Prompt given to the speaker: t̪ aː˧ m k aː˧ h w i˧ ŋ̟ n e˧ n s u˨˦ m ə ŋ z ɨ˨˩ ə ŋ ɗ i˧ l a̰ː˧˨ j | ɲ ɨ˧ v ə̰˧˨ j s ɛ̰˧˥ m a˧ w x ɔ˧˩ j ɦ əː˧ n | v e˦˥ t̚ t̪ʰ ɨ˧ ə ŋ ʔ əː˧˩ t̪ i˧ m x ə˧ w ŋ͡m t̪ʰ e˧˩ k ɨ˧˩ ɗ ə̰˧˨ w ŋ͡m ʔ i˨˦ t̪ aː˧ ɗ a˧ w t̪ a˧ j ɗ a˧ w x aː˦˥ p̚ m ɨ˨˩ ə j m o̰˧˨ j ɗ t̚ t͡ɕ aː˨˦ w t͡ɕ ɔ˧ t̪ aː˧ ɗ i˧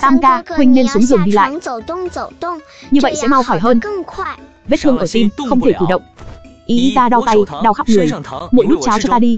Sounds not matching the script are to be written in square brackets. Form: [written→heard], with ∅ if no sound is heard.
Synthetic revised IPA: t̪ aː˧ m k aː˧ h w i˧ ŋ̟ n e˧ n s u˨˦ [m→∅] ə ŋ z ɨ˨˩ ə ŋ ɗ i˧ l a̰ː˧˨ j | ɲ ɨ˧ v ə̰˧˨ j s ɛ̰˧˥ m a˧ w x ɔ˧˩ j ɦ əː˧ n | v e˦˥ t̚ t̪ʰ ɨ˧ ə ŋ ʔ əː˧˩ t̪ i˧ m x ə˧ w ŋ͡m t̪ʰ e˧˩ k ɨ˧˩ ɗ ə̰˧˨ w ŋ͡m ʔ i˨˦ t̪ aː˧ ɗ a˧ w t̪ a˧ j ɗ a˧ w x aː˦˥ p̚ [m→ŋ] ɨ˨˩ ə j m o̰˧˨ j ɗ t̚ t͡ɕ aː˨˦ w t͡ɕ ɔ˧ t̪ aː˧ ɗ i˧